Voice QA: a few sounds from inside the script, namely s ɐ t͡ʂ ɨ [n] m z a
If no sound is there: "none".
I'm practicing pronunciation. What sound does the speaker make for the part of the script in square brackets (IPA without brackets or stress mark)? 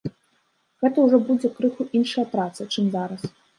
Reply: none